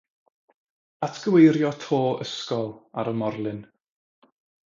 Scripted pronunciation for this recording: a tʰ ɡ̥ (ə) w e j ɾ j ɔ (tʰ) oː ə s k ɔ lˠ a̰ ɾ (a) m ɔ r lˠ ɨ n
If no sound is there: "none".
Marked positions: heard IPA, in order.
ə, tʰ, ə

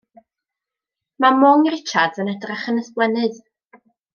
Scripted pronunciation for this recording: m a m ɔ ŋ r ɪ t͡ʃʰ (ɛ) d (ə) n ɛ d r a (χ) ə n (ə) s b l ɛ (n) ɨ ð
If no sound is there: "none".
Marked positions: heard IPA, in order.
a, ə, χ, ə, n

